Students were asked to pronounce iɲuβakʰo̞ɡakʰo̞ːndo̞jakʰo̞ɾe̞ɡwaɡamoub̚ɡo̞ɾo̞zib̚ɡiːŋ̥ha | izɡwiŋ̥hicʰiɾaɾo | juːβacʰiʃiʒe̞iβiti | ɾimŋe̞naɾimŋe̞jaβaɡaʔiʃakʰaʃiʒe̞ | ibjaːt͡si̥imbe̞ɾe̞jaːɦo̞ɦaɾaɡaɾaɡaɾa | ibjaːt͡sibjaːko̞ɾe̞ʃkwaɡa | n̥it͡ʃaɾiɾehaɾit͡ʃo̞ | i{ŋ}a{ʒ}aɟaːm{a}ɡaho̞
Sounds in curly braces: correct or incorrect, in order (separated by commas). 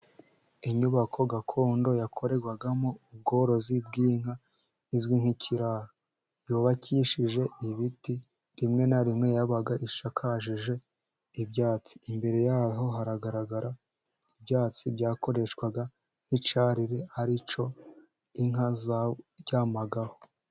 correct, incorrect, correct